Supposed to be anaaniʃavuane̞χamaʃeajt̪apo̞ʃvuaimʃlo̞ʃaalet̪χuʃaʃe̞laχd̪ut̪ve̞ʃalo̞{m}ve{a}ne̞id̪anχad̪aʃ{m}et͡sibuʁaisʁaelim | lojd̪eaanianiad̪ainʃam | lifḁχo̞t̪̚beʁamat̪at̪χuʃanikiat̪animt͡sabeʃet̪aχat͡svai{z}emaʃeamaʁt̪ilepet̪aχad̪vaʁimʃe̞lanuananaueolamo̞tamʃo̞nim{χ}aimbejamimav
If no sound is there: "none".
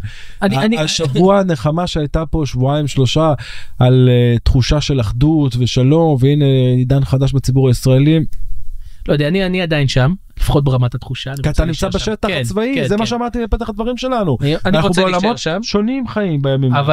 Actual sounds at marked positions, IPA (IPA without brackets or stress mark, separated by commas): m, i, b, z, χ